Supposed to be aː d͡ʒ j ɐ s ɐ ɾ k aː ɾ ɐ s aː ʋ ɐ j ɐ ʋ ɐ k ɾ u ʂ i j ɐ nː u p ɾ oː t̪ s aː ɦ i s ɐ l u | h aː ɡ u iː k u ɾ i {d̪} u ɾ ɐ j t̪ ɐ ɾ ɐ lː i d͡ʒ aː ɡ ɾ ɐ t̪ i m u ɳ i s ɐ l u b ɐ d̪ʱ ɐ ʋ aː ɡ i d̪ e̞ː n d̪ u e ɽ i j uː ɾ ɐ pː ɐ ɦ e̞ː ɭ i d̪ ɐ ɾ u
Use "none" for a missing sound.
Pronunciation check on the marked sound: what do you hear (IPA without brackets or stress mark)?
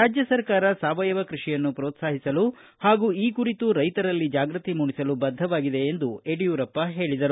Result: t̪